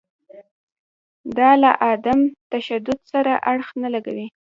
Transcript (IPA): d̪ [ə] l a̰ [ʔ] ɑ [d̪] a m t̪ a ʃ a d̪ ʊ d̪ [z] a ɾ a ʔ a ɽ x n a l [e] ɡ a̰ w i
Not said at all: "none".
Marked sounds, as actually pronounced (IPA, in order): ɑ, ʔ, d̪, s, a

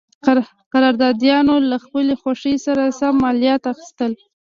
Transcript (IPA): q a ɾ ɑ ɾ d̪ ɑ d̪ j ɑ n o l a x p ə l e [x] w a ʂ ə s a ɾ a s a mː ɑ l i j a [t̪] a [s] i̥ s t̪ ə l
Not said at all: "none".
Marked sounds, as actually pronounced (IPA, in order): x, t̪, x

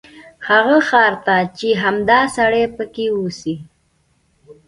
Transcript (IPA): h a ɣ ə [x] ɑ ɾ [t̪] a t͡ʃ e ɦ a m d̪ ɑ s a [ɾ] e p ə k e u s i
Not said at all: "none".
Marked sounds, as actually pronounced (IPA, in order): x, t̪, ɽ

